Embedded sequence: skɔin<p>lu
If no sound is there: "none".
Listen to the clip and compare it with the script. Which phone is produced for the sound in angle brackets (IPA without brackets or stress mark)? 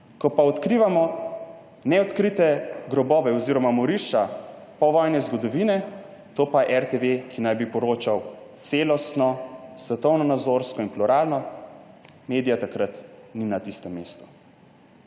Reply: p